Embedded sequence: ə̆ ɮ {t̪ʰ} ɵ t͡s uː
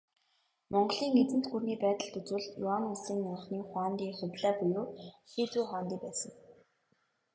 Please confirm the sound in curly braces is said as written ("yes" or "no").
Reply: no